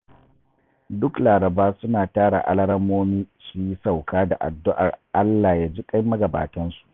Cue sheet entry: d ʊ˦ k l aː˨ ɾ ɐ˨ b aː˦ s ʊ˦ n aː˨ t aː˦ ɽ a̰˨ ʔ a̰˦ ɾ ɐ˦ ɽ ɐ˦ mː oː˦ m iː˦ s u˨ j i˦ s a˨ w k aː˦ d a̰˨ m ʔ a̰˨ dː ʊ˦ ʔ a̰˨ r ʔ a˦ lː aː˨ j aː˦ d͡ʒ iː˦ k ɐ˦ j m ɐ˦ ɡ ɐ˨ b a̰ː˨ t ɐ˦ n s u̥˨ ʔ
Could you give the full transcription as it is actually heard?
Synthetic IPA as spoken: d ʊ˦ k l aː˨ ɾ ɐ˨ b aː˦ s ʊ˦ n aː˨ t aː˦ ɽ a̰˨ ʔ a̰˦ l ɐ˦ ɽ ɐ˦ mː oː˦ m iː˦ s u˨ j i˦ s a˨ w k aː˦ d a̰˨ ʔ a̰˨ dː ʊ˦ ʔ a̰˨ r ʔ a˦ lː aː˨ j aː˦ d͡ʒ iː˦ kʼ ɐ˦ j m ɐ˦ ɡ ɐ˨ b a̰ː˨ t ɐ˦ n s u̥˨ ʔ